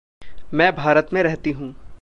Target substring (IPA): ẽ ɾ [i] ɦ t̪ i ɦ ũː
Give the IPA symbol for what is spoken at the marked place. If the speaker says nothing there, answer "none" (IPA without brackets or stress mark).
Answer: ɛ